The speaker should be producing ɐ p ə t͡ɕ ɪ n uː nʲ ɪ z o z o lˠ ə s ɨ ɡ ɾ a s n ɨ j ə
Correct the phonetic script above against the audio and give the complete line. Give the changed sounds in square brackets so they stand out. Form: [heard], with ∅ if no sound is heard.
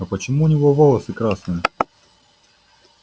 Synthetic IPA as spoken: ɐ p ə t͡ɕ ɪ [m] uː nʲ ɪ [v] o [v] o lˠ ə s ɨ [k] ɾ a s n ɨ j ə